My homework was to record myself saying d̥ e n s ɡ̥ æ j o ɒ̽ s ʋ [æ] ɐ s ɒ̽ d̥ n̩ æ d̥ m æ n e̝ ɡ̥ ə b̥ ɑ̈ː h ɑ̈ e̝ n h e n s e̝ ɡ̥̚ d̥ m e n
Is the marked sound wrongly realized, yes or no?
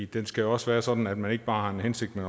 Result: yes